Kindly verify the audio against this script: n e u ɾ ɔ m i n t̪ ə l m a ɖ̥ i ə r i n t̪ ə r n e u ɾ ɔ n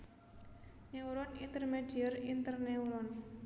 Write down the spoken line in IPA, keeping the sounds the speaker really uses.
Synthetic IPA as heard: n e u ɾ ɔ n i n t̪ ə r m e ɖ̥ i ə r i n t̪ ə r n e u ɾ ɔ n